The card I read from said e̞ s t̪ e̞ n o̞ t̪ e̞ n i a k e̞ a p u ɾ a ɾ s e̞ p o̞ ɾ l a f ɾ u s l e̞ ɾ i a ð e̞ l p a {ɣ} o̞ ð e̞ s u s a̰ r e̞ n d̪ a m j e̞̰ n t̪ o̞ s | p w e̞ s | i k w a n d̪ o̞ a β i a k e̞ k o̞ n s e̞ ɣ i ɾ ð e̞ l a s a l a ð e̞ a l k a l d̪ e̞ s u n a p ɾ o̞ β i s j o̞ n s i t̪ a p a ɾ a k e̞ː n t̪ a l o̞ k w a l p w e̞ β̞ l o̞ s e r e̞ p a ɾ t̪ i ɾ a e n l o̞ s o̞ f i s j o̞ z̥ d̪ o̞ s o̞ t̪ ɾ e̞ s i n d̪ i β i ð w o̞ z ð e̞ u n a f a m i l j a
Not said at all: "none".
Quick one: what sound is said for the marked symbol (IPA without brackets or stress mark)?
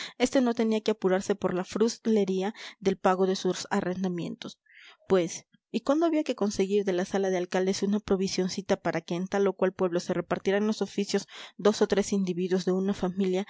ɣ